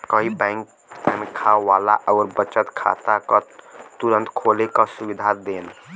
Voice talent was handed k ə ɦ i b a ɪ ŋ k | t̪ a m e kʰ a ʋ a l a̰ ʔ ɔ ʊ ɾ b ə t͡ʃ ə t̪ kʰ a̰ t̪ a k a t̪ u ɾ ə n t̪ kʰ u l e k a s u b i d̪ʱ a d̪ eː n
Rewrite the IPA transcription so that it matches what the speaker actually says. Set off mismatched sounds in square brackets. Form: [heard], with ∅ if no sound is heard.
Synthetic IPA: k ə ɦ i b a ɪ ŋ k | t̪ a m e kʰ a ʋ a l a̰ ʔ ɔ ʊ ɾ b ə t͡ʃ ə t̪ kʰ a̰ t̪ a k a t̪ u ɾ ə n t̪ kʰ [o] l e k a s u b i d̪ʱ a d̪ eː n